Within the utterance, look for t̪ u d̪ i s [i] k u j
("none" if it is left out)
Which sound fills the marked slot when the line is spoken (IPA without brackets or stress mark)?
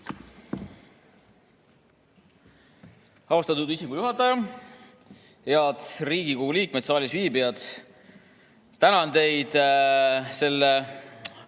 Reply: i